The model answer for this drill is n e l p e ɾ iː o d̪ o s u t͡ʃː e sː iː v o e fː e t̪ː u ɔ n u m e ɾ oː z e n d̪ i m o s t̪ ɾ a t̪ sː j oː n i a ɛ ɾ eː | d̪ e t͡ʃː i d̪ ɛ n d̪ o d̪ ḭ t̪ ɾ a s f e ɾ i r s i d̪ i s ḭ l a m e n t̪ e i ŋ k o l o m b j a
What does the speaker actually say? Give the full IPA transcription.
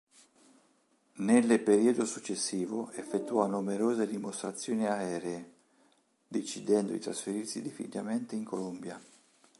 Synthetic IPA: n e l p e ɾ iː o d̪ o s u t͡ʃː e sː iː v o e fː e t̪ː u ɔ n u m e ɾ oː z e d̪ i m o s t̪ ɾ a t̪ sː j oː n i a ɛː ɾ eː | d̪ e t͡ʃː i d̪ ɛ n d̪ o d̪ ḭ t̪ ɾ a s f e ɾ i r s i d̪ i f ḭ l a m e n t̪ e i ŋ k o l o m b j a

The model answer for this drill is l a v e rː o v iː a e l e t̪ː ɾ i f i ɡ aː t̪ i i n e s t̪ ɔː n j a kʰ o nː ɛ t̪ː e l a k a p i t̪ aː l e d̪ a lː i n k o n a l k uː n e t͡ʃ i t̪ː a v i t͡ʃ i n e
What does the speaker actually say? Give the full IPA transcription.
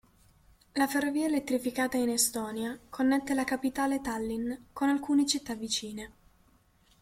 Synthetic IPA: l a f e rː o v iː a e l e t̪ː ɾ i f i k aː t̪ a i n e s t̪ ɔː n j a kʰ o nː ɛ t̪ː e l a k a p i t̪ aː l e t̪ a lː i n k o n a l k uː n e t͡ʃ i t̪ː a v i t͡ʃ iː n e

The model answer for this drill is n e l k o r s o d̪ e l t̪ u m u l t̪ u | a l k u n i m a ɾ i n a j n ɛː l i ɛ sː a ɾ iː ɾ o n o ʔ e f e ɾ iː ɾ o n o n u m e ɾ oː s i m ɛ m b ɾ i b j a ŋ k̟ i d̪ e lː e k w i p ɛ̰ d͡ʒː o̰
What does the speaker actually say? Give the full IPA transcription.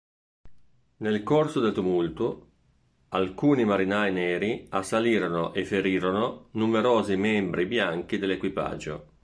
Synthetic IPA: n e l k o r s o d̪ e l t̪ u m u l t̪ u | a l k uː n i m a ɾ i n a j n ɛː ɾ i a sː a l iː ɾ o n o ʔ e f e ɾ iː ɾ o n o n u m e ɾ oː z i m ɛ m b ɾ i b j a ŋ k̟ i d̪ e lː e k w i p a̰ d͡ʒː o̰

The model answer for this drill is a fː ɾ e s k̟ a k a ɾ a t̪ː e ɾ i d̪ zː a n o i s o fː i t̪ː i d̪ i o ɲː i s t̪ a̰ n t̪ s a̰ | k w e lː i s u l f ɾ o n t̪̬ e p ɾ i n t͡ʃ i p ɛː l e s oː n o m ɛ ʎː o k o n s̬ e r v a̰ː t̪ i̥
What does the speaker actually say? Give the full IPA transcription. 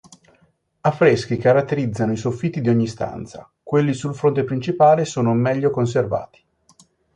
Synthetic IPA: a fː ɾ e s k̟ i k a ɾ a t̪ː e ɾ i d̪ zː a n o i s o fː i t̪ː i d̪ i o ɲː i s t̪ a̰ n t̪ s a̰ | k w e lː i s u l f ɾ o n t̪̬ e p ɾ i n t͡ʃ i p aː l e s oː n o m ɛ ʎː o k o n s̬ e r v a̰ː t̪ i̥

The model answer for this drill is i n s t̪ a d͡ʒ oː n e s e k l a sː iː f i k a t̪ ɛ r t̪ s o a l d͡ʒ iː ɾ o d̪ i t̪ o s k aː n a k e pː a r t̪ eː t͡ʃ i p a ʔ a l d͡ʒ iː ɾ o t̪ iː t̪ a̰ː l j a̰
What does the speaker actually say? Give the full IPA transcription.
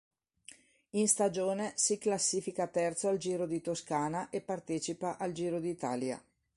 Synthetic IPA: i n s t̪ a d͡ʒ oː n e s i k l a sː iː f i k a t̪ ɛ r t̪ s o a l d͡ʒ iː ɾ o d̪ i t̪ o s k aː n a ʔ e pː a r t̪ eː t͡ʃ i p a ʔ a l d͡ʒ iː ɾ o d̪ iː t̪ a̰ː l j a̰

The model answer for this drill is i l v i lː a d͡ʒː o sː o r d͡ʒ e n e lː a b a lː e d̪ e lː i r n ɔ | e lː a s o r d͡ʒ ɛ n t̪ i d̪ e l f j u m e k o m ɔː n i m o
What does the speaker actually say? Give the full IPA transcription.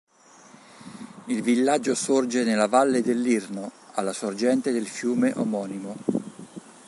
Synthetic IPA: i l v i lː a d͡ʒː o s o r d͡ʒ e n e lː a v a lː e d̪ e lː i r n o | a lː a s o r d͡ʒ ɛ n t̪ e d̪ e l f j uː m e ʔ o m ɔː n i m o

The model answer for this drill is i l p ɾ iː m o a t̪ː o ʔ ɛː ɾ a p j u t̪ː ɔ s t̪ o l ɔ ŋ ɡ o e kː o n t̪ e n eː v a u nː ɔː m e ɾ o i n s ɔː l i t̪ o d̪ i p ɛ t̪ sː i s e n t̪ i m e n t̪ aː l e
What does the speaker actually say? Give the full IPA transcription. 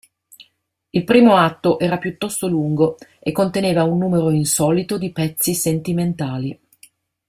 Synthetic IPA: i l p ɾ iː m o a t̪ː o ʔ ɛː ɾ a p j u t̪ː ɔ s t̪ o l u ŋ ɡ o e kː o n t̪ e n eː v a u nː uː m e ɾ o i n s ɔː l i t̪ o d̪ i p ɛ t̪ sː i s e n t̪ i m e n t̪ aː l i

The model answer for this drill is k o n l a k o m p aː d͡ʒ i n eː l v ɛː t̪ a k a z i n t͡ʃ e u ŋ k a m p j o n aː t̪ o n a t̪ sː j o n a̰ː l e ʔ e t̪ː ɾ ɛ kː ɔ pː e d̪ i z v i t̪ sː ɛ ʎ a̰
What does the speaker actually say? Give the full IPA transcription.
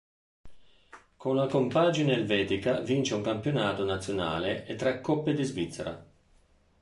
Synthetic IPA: k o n l a k o m p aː d͡ʒ i n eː l v ɛː t̪ i k a v i n t͡ʃ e u ŋ k a m p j o n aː t̪ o n a t̪ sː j o n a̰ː l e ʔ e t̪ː ɾ ɛ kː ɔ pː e d̪ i z v i t̪ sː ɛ ɾ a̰

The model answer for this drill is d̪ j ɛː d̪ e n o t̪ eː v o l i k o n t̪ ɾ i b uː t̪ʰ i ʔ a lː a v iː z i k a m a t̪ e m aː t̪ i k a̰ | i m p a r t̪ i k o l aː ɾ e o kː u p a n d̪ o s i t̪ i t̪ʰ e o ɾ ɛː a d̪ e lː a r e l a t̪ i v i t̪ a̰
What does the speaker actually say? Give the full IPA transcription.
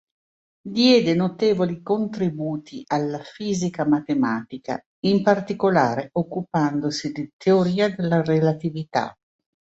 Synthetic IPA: d̪ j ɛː d̪ e n o t̪ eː v o l i k o n t̪ ɾ i b uː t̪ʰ i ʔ a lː a f iː z i k a m a t̪ e m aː t̪ i k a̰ | i m p a r t̪ i k o l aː ɾ e o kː u p a n d̪ o s i d̪ i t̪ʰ e o ɾ iː a d̪ e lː a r e l a t̪ i v i t̪ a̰

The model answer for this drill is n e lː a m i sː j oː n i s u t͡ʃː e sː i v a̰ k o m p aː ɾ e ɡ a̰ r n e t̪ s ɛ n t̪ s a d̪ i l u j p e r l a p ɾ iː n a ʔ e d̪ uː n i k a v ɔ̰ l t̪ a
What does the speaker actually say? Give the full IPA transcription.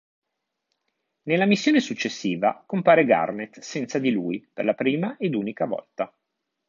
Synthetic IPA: n e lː a m i sː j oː n e s u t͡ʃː e sː iː v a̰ k o m p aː ɾ e ɡ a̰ r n e t̪ s ɛ n t̪ s a d̪ i l u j p e r l a p ɾ iː m a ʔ e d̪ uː n i k a v ɔ̰ l t̪ a

